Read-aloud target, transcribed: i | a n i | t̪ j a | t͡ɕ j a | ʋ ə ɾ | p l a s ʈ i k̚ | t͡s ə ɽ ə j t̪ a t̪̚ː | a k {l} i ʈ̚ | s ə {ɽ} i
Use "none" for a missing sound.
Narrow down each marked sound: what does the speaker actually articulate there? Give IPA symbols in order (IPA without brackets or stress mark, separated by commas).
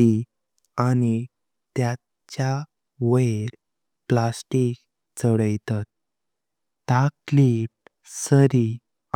l, ɾ